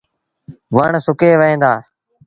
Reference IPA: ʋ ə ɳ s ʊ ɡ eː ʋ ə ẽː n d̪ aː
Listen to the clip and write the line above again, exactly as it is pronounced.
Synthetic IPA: ʋ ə ɳ s ʊ k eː ʋ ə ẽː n d̪ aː